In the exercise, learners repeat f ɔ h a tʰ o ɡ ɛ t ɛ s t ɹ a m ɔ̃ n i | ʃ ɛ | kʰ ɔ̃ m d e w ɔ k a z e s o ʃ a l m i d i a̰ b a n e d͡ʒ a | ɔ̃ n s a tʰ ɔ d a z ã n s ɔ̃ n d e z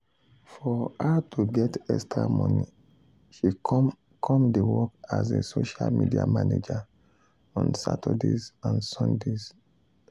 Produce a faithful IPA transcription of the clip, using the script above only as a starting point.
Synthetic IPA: f ɔ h a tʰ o ɡ ɛ t ɛ s t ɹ a m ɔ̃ n i | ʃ i | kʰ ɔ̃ m d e w ɔ k a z e s o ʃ a l m i d i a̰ m a n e d͡ʒ a | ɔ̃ n s a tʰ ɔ d e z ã n s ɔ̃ n d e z